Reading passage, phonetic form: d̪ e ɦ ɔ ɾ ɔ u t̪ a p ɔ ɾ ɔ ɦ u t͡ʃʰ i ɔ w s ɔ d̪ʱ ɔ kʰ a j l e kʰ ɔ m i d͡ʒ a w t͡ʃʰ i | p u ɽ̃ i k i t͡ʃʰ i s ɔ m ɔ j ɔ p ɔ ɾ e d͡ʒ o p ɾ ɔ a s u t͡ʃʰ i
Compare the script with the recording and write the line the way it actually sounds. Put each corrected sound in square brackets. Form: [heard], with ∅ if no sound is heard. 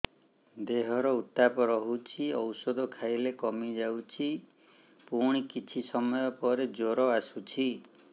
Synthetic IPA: d̪ e ɦ ɔ ɾ ɔ u t̪ a p ɔ ɾ ɔ ɦ u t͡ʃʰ i ɔ w s ɔ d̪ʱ ɔ kʰ a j l e [k] ɔ m i d͡ʒ a w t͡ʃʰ i | p u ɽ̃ i k i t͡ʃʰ i s ɔ m ɔ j ɔ p ɔ ɾ e d͡ʒ o [∅] ɾ ɔ a s u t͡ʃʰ i